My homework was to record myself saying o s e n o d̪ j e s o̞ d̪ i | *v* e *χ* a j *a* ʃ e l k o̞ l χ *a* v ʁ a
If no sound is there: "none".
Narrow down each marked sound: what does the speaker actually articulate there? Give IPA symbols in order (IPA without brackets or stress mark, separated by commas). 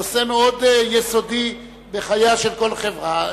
b, χ, a, e